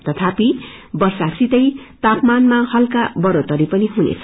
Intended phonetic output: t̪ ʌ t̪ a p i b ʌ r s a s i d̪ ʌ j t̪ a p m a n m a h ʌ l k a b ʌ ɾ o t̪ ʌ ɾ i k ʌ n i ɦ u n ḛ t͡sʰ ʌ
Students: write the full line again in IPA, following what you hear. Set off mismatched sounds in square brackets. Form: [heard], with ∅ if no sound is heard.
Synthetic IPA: t̪ ʌ [t̪ʰ] a p i b ʌ r s a s i [t̪] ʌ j t̪ a p m a n m a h ʌ l k a b ʌ ɾ o t̪ ʌ ɾ i [p] ʌ n i ɦ u n ḛ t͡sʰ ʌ

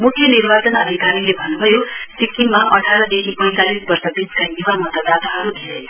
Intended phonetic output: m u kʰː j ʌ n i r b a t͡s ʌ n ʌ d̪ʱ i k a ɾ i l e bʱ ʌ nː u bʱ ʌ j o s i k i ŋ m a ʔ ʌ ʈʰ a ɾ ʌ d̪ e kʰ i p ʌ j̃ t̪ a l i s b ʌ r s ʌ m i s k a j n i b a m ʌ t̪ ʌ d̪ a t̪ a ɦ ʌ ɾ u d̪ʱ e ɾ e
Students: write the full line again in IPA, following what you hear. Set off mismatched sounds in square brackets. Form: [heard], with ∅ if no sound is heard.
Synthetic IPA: m u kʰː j ʌ n i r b a t͡s ʌ n ʌ d̪ʱ i k a ɾ i l e bʱ ʌ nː u bʱ ʌ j o s i k i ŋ m a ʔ ʌ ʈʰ a ɾ ʌ d̪ e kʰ i p ʌ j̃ t̪ a l i s b ʌ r s ʌ [b] i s k a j n i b a m ʌ t̪ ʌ d̪ a t̪ a ɦ ʌ ɾ u d̪ʱ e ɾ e

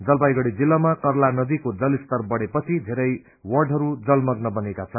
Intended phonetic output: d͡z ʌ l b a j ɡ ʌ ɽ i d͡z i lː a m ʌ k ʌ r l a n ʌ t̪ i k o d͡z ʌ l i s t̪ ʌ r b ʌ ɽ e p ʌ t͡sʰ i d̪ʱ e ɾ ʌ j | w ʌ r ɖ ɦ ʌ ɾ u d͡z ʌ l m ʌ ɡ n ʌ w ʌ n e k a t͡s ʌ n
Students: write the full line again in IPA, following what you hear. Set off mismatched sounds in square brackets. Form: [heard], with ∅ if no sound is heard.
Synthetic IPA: d͡z ʌ l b a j ɡ ʌ ɽ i d͡z i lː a m [a] k ʌ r l a n ʌ [d̪] i k o d͡z ʌ l i s t̪ ʌ r b ʌ ɽ e p ʌ t͡sʰ i d̪ʱ e ɾ ʌ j | w ʌ r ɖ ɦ ʌ ɾ u d͡z ʌ l m ʌ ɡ n ʌ [b] ʌ n e k a [t͡sʰ] ʌ n

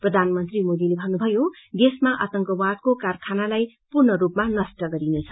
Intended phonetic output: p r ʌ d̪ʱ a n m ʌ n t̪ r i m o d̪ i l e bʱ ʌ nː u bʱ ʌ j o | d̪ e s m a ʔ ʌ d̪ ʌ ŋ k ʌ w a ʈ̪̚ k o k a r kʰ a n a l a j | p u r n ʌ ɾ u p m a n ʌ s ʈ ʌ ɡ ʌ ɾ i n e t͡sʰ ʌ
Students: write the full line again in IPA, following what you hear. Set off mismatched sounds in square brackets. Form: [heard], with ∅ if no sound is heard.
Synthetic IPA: p r ʌ d̪ʱ a n m ʌ n t̪ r i m o d̪ i l e bʱ ʌ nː u bʱ ʌ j o | d̪ e s m a ʔ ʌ [t̪] ʌ ŋ k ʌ w a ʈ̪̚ k o k a r kʰ a n a l a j | p u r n ʌ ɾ u p m a n ʌ s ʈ ʌ ɡ ʌ ɾ i n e t͡sʰ ʌ

